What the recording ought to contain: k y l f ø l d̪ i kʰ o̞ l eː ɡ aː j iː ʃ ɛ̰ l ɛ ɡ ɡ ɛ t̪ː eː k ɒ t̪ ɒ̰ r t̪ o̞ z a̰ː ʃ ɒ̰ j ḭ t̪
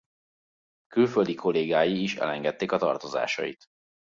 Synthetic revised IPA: k y l f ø l d̪ i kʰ o̞ l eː ɡ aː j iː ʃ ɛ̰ l ɛ ŋ ɡ ɛ t̪ː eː k ɒ t̪ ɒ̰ r t̪ o̞ z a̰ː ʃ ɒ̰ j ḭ t̪